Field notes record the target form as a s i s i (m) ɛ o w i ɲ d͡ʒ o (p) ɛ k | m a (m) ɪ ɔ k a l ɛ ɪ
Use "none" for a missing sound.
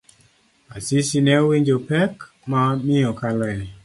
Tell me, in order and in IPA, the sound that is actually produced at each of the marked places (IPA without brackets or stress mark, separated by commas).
n, p, m